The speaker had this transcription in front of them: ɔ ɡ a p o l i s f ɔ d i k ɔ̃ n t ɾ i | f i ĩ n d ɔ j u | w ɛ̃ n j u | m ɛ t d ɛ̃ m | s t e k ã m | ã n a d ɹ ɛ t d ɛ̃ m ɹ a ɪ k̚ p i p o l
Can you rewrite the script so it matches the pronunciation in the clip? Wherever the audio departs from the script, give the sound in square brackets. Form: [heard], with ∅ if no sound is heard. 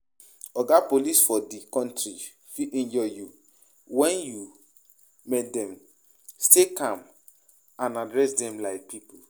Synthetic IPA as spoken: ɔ ɡ a p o l i s f ɔ d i k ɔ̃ n t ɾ i | f i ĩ n [d͡ʒ] ɔ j u | w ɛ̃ n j u | m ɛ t d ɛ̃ m | s t e k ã m | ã n a d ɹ ɛ [s] d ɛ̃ m [l] a ɪ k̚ p i p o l

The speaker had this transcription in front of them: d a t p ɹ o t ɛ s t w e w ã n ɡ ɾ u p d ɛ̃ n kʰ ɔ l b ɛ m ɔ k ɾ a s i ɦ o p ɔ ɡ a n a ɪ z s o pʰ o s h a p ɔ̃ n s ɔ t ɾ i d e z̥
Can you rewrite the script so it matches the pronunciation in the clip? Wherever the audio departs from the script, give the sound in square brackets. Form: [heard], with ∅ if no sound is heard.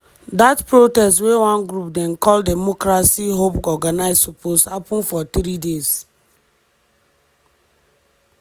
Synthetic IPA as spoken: d a t p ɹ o t ɛ s t w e w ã n ɡ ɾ u p d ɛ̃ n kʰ ɔ l [d] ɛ m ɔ k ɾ a s i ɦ o p ɔ ɡ a n a ɪ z s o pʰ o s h a p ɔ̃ n [f] ɔ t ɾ i d e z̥

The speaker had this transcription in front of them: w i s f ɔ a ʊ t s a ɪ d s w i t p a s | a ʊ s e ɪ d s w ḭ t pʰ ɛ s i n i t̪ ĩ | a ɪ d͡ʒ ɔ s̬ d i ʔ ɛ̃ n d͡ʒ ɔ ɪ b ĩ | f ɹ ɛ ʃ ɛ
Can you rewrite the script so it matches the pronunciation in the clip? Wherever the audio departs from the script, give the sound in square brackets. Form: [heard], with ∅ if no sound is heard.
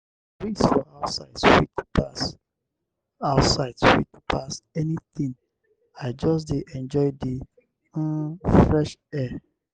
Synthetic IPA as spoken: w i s f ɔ a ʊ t s a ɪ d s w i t p a s | a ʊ s [a] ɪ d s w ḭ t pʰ [a] s [ɛ] n i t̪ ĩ | a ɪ d͡ʒ ɔ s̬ d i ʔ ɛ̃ n d͡ʒ ɔ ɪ [d] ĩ | f ɹ ɛ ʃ ɛ

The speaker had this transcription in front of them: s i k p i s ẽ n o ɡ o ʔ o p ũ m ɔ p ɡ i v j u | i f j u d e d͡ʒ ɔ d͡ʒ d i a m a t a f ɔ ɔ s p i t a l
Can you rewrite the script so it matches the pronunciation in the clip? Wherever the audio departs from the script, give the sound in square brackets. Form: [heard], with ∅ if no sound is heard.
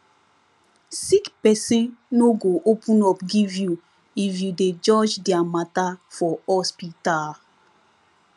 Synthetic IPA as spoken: s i k p [ɛ] s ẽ n o ɡ o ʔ o p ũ [n] ɔ p ɡ i v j u | i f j u d e d͡ʒ ɔ d͡ʒ d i a m a t a f ɔ ɔ s p i t a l

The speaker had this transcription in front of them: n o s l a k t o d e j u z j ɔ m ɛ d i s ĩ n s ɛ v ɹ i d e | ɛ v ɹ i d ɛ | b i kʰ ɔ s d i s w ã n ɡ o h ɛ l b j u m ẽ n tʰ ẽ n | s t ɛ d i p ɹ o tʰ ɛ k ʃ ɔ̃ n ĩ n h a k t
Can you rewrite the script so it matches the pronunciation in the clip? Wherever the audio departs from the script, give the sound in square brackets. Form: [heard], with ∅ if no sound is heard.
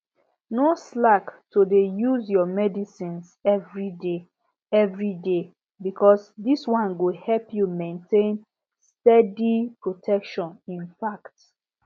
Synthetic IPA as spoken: n o s l a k t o d e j u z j ɔ m ɛ d i s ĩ n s ɛ v ɹ i d e | ɛ v ɹ i d [e] | b i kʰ ɔ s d i s w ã n ɡ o h ɛ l [p] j u m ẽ n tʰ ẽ n | s t ɛ d i p ɹ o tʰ ɛ k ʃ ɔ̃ n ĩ n [f] a k t

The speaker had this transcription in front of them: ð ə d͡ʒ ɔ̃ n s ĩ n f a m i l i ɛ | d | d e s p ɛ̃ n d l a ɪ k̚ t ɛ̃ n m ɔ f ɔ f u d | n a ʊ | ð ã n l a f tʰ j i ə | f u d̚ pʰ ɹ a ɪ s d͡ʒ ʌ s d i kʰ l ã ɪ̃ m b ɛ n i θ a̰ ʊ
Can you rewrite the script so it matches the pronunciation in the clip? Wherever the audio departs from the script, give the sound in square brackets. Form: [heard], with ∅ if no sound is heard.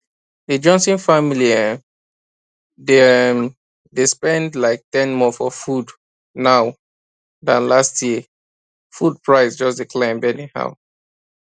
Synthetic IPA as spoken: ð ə d͡ʒ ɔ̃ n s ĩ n f a m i l i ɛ | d | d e s p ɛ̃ n d l a ɪ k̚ t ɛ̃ n m ɔ f ɔ f u d | n a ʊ | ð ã n l a [s] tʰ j i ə | f u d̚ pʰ ɹ a ɪ s d͡ʒ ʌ s d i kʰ l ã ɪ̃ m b ɛ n i [h] a̰ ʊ

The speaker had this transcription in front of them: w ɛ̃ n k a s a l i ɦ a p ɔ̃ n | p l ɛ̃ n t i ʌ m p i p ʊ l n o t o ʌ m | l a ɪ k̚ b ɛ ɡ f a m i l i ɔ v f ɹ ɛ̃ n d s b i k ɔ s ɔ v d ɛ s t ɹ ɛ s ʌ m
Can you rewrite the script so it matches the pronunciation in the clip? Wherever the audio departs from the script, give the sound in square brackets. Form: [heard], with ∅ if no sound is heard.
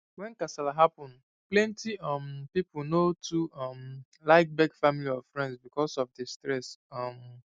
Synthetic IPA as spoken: w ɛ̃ n k a s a l [a] ɦ a p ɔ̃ n | p l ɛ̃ n t i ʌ m p i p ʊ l n o t [u] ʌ m | l a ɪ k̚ b ɛ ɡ f a m i l i ɔ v f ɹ ɛ̃ n d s b i k ɔ s ɔ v d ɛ s t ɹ ɛ s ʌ m

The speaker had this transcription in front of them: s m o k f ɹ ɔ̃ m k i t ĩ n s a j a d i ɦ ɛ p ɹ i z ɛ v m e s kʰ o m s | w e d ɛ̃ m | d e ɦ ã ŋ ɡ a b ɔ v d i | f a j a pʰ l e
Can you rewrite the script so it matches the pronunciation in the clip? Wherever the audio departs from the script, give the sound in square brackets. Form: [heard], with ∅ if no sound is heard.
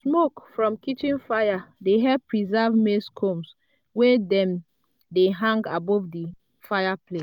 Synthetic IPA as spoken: s m o k f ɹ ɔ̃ m k i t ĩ n [f] a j a d [e] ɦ ɛ p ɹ i z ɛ v m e s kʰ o m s | w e d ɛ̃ m | d e ɦ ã ŋ ɡ a b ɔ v d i | f a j a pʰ l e

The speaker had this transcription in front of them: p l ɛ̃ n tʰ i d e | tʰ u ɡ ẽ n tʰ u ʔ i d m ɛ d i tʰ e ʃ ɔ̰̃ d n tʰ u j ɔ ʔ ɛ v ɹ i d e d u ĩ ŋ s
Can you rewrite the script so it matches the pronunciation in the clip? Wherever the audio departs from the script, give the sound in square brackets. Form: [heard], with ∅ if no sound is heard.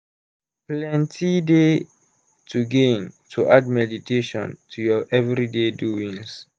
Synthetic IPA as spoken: p l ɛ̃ n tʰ i d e | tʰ u ɡ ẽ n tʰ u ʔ [a] d m ɛ d i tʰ e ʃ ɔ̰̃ [∅] n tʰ u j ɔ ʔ ɛ v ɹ i d e d u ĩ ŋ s

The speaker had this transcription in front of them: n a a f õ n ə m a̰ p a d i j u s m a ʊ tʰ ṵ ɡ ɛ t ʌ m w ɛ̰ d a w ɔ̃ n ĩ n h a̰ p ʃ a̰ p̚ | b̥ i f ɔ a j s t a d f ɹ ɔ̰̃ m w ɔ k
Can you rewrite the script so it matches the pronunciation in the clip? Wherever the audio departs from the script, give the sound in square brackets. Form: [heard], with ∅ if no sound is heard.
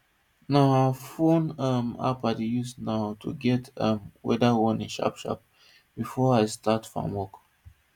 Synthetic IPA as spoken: n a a f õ n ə m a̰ p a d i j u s [n] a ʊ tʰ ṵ ɡ ɛ t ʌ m w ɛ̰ d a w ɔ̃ n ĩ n [ʃ] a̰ p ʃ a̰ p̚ | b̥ i f ɔ a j s t a [t] f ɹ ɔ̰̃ m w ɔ k

